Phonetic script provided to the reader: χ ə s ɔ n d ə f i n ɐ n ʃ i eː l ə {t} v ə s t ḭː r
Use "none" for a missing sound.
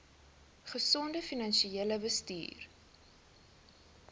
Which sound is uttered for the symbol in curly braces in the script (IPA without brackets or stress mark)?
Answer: none